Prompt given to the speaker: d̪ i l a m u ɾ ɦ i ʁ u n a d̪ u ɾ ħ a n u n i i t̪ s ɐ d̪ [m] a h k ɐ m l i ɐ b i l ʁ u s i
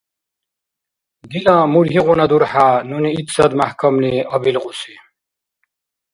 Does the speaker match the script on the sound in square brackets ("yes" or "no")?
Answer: yes